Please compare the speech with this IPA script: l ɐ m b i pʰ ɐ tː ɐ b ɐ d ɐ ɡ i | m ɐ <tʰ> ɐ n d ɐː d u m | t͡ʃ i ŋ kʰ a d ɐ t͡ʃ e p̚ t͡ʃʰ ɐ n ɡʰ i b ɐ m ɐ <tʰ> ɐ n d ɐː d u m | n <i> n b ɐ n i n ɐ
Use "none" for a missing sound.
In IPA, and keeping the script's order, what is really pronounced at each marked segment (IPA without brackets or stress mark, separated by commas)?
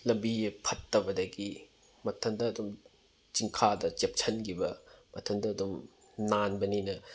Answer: tʰ, tʰ, a